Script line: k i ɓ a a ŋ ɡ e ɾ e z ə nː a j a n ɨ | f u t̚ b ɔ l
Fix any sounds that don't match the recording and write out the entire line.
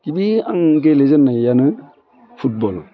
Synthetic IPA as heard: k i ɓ i a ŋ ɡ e l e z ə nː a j a n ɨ | f u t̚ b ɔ l